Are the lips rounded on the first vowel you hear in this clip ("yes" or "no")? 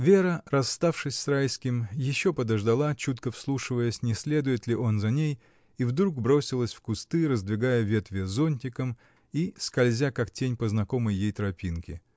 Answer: no